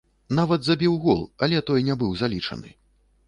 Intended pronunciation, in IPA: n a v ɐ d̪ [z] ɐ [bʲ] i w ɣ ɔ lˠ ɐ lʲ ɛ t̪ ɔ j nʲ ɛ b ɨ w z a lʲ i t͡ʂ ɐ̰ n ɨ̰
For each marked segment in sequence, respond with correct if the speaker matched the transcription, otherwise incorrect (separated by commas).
correct, correct